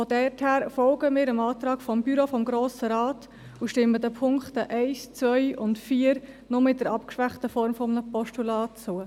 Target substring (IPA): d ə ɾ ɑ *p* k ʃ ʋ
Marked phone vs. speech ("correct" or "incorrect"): correct